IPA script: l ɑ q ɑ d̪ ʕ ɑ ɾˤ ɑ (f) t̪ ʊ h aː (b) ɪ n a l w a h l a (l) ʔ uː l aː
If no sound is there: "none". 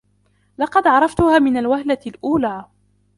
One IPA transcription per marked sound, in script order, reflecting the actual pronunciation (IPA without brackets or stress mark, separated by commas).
f, m, l